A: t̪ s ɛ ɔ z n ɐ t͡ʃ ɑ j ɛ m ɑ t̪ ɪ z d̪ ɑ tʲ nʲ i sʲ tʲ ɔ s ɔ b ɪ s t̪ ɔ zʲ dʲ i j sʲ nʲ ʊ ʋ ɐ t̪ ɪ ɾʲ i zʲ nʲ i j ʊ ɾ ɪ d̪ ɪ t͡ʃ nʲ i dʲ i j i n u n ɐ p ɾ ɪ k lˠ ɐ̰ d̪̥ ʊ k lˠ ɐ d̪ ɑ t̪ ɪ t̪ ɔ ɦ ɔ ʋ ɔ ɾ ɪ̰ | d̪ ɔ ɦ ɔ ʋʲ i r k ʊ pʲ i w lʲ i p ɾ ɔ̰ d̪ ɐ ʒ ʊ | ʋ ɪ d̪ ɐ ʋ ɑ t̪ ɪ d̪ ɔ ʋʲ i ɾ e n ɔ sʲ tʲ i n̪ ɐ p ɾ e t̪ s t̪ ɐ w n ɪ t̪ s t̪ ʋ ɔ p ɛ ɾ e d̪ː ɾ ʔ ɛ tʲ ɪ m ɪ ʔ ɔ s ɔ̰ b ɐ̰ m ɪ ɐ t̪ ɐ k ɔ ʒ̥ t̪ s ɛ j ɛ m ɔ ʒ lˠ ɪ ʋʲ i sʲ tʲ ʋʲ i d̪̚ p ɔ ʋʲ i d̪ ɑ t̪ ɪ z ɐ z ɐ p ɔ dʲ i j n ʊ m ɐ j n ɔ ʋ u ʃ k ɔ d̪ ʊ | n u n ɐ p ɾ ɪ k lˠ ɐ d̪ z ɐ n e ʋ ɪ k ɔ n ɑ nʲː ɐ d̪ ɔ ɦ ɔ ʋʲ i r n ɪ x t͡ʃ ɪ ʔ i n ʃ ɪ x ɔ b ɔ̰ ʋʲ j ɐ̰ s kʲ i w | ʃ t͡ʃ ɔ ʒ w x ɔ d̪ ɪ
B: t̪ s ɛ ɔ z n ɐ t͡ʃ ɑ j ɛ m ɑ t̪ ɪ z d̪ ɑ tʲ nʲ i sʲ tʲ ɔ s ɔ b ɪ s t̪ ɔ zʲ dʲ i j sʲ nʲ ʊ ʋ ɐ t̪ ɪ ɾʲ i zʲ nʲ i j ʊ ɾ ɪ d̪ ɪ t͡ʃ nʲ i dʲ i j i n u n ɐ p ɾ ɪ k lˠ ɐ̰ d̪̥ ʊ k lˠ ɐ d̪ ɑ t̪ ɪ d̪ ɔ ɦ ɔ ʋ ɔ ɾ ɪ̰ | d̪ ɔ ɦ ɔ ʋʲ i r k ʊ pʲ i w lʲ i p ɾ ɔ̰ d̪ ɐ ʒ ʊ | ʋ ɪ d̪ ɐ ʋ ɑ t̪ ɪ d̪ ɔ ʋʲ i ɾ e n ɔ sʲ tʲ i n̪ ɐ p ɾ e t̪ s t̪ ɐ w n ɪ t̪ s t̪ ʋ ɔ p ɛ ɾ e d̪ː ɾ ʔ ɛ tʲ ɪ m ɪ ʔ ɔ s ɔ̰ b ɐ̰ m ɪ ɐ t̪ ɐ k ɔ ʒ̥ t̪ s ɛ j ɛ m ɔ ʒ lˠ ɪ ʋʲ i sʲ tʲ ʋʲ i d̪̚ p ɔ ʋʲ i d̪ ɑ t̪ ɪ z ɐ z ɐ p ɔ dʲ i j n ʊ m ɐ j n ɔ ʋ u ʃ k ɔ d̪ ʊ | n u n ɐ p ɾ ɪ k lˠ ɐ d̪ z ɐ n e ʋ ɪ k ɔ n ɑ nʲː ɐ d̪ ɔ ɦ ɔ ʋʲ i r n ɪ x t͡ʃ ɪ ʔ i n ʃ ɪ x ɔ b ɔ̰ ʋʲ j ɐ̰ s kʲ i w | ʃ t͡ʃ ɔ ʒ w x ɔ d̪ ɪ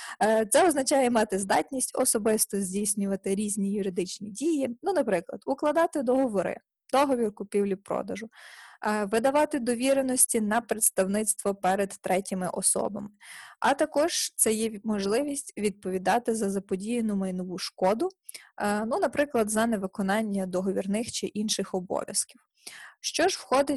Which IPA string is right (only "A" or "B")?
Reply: B